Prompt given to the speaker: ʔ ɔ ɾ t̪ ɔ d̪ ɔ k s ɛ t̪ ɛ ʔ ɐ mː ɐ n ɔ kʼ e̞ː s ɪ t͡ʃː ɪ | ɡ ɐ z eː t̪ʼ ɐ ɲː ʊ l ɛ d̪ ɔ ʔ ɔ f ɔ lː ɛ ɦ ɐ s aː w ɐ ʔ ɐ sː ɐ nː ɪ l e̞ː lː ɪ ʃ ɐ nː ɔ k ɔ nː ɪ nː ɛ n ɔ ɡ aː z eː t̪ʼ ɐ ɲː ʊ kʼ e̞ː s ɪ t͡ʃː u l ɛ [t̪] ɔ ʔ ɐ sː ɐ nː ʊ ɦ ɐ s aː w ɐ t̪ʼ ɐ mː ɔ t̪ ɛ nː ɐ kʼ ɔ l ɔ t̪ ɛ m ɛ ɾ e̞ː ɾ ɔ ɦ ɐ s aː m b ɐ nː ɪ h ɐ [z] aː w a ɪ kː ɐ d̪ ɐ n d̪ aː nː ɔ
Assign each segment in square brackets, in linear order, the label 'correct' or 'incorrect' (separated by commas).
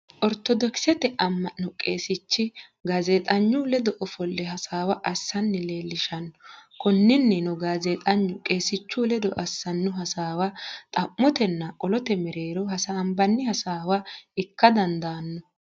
incorrect, incorrect